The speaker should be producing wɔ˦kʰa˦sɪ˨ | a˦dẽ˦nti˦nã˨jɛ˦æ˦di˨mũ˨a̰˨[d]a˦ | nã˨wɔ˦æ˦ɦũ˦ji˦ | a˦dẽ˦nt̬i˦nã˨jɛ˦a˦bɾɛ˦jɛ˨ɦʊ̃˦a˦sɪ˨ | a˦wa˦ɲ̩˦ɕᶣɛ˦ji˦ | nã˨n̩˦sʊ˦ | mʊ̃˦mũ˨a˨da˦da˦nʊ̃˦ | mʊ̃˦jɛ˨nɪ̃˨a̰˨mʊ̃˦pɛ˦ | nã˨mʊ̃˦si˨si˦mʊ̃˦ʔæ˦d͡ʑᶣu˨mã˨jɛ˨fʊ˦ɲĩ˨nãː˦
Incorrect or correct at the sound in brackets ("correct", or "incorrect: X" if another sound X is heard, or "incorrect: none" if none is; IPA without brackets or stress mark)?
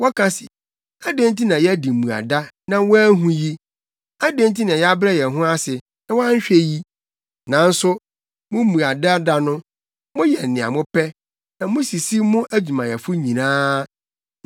correct